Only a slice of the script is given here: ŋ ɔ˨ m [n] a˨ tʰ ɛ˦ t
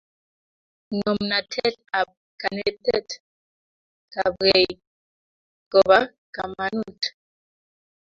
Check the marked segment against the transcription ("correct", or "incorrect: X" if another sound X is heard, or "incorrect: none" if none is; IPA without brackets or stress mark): correct